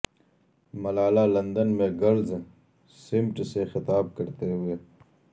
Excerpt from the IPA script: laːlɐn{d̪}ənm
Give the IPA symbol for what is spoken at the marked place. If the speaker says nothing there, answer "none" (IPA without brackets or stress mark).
d̪